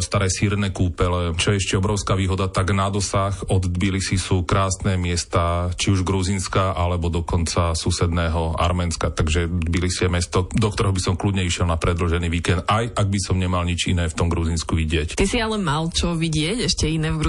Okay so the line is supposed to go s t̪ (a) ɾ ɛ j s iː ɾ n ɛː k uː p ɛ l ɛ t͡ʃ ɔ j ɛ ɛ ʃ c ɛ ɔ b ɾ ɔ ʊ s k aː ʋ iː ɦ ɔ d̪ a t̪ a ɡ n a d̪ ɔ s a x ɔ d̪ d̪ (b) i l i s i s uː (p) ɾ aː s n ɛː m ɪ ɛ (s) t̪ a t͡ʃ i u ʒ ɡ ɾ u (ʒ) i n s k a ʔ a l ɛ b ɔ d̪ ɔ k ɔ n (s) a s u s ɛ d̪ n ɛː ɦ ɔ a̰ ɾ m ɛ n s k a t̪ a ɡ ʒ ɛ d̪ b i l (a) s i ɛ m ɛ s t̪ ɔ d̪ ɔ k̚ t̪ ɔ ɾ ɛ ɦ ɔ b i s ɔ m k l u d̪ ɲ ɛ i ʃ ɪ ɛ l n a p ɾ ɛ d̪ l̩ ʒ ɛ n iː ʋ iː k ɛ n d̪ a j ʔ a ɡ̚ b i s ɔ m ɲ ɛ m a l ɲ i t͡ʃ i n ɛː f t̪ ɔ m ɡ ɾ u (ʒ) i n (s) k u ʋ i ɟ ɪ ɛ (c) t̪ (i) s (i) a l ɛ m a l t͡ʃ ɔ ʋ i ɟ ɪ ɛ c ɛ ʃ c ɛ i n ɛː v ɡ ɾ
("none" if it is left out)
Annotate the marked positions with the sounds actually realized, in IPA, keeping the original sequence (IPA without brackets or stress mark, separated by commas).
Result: a, b, k, s, z, t͡s, i, z, s, c, i, i